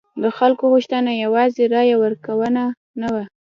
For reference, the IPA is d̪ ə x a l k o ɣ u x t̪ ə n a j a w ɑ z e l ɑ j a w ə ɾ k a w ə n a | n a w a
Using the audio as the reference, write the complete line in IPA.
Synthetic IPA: d̪ ə x a l k o ɣ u ʃ t̪ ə n a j a w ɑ z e ɾ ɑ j a w ə ɾ k a w ə n a | n a w a